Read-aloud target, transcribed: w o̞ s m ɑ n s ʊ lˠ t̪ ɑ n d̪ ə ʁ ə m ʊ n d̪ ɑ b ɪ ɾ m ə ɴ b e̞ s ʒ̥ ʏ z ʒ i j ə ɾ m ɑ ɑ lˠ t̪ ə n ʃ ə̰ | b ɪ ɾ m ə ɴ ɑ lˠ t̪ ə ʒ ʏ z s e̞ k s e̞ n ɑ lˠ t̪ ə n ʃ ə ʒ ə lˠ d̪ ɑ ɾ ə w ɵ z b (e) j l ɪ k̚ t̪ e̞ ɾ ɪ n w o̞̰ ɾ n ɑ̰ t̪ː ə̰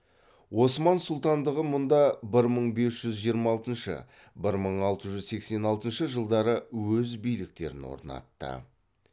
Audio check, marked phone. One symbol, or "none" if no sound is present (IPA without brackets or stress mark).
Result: i